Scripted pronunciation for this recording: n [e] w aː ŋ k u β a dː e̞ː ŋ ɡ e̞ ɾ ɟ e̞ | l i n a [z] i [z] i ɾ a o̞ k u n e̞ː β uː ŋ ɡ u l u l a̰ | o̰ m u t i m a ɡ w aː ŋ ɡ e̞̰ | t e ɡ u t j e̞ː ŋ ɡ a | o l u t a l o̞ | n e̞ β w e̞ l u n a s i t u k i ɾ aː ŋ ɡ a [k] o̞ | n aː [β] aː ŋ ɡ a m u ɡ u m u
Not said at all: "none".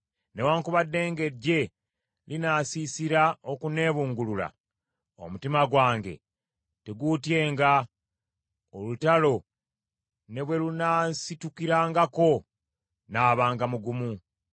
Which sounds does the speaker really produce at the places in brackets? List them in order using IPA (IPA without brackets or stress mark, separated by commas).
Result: e, s, s, k, β